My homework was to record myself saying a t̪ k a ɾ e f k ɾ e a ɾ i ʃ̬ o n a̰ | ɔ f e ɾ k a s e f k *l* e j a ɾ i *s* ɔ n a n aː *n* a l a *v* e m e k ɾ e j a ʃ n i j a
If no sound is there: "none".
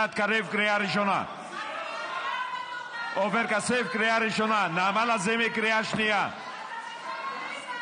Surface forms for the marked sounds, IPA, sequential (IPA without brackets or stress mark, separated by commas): ɾ, ʃ, m, z